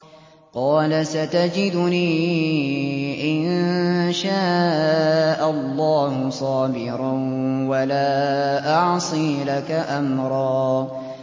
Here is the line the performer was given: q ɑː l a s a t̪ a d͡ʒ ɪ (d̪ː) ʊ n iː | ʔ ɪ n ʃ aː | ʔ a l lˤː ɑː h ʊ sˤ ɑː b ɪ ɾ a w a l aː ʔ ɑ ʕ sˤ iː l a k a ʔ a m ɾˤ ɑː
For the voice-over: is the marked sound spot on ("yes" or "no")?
no